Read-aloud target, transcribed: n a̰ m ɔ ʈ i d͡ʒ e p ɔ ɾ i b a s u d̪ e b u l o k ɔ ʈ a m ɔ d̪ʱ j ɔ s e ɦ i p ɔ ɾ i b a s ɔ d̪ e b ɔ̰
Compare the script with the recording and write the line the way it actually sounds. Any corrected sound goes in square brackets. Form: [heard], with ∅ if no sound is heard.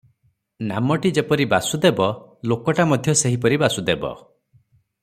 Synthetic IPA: n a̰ m ɔ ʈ i d͡ʒ e p ɔ ɾ i b a s u d̪ e b [ɔ] l o k ɔ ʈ a m ɔ d̪ʱ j ɔ s e ɦ i p ɔ ɾ i b a s [u] d̪ e b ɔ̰

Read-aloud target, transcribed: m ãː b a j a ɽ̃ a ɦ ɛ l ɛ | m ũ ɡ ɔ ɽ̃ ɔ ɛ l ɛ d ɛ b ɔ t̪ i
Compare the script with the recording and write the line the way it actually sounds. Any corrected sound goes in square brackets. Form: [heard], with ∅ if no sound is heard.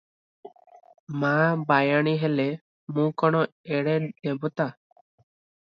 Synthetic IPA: m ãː b a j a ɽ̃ [i] ɦ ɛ l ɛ | m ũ [k] ɔ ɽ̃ ɔ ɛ [ɽ] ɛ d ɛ b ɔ t̪ [a]

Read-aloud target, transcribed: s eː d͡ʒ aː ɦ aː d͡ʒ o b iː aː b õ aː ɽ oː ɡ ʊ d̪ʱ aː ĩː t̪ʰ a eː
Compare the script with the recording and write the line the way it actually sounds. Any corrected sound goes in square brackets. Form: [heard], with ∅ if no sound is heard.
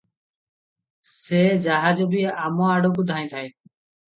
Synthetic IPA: s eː d͡ʒ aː ɦ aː d͡ʒ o b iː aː [m] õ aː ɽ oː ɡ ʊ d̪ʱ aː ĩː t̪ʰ a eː

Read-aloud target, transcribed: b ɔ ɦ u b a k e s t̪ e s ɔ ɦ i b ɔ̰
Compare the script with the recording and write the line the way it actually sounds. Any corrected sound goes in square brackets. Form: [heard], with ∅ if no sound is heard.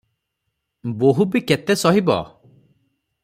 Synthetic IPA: b [o] ɦ u b [i] k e [∅] t̪ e s ɔ ɦ i b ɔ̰

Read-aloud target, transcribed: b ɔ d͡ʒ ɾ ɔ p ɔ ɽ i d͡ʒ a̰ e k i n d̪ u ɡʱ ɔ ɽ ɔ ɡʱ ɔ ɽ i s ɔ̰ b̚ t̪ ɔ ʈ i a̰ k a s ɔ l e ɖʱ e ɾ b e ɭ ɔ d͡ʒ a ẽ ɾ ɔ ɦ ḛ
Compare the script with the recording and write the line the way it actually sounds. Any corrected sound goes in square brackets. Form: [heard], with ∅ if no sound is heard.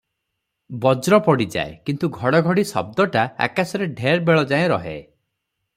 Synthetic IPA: b ɔ d͡ʒ ɾ ɔ p ɔ ɽ i d͡ʒ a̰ e k i n [t̪] u ɡʱ ɔ ɽ ɔ ɡʱ ɔ ɽ i s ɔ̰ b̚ [d̪] ɔ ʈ [a] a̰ k a s ɔ [ɾ] e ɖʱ e ɾ b e ɭ ɔ d͡ʒ a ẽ ɾ ɔ ɦ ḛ

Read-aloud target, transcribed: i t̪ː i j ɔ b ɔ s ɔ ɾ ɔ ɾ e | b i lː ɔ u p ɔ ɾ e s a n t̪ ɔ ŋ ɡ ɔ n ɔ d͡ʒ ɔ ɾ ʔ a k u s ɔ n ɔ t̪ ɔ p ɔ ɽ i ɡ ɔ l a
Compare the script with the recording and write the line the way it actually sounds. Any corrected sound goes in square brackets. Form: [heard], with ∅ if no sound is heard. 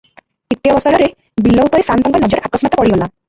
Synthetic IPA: i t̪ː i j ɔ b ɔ s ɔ ɾ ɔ ɾ e | b i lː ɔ u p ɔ ɾ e s a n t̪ ɔ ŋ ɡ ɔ n ɔ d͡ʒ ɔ ɾ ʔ a k [ɔ] s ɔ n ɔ t̪ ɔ p ɔ ɽ i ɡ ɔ l a

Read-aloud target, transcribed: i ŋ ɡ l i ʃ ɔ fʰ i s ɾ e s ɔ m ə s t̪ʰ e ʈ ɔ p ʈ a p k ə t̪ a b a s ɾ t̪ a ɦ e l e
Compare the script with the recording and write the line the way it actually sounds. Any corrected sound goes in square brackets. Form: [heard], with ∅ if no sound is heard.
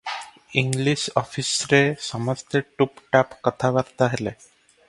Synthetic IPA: i ŋ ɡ l i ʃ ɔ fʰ i s ɾ e s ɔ m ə s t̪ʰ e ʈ [u] p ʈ a p k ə [t̪ʰ] a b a [∅] ɾ t̪ a ɦ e l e

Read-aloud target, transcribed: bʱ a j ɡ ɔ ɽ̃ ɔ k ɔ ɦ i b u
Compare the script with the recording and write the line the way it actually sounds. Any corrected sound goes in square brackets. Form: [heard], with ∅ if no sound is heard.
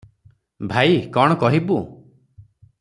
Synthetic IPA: bʱ a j [k] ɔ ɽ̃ ɔ k ɔ ɦ i b u

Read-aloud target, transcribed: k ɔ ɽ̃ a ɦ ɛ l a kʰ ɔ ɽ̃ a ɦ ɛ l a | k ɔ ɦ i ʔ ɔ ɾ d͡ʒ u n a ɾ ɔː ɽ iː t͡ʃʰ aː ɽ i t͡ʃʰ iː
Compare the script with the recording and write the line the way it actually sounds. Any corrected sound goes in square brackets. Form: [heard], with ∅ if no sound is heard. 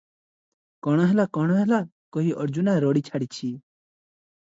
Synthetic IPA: k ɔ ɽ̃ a ɦ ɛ l a [k] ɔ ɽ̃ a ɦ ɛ l a | k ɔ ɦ i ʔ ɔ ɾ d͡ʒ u n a ɾ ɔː ɽ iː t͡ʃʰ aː ɽ i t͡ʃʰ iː

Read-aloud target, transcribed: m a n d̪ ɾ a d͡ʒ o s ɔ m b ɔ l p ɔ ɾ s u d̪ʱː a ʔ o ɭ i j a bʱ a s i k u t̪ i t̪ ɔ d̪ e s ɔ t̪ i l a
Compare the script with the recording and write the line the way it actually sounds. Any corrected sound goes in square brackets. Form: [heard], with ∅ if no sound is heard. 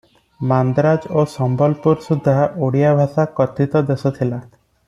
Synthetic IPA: m a n d̪ ɾ a d͡ʒ o s ɔ m b ɔ l p [u] ɾ s u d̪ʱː a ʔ o [ɽ] i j a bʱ a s [a] k [ɔ] t̪ i t̪ ɔ d̪ e s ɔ [t̪ʰ] i l a

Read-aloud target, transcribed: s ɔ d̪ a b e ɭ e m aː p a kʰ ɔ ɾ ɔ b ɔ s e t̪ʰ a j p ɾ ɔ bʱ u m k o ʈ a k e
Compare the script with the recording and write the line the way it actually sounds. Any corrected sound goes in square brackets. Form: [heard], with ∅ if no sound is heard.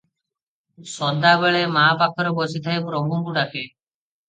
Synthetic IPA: s ɔ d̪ a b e ɭ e m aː p a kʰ ɔ ɾ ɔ b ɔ s [i] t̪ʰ a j p ɾ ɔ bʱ u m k [u] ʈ a k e

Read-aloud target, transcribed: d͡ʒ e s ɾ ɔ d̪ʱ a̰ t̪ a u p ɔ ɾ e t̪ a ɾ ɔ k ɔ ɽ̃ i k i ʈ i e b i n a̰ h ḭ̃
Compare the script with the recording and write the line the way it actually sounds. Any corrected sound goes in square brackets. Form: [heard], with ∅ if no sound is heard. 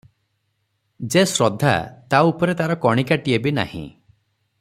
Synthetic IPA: d͡ʒ e s ɾ ɔ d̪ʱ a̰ t̪ a u p ɔ ɾ e t̪ a ɾ ɔ k ɔ ɽ̃ i k [a] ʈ i e b i n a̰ h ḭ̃

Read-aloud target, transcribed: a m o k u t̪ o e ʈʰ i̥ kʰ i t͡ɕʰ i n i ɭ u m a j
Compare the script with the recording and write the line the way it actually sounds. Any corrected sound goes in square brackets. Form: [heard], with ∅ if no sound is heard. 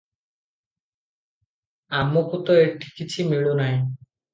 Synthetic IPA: a m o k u t̪ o e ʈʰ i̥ [k] i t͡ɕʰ i [m] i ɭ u [n] a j

